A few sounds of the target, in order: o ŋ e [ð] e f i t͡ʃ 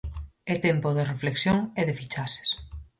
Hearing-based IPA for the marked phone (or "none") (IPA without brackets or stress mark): ð